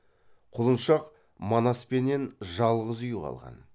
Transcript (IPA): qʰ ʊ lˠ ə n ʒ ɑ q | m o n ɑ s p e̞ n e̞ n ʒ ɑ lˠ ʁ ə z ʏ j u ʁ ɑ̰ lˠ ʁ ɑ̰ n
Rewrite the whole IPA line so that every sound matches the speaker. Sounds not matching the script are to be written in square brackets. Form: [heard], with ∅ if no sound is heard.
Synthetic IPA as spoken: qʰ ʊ lˠ ə n [ʃ] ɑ q | m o n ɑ s p e̞ n e̞ n ʒ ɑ lˠ ʁ ə z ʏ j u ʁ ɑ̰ lˠ ʁ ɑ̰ n